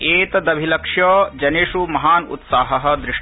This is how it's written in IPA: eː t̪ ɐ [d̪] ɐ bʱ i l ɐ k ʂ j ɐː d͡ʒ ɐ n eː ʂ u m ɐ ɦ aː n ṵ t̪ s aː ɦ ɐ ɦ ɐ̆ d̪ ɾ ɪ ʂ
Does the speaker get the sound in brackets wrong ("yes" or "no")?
no